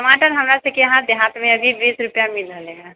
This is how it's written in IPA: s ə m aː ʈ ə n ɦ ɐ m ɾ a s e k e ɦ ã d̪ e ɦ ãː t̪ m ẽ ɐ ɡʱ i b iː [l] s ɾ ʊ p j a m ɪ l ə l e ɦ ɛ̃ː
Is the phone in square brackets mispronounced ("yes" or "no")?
yes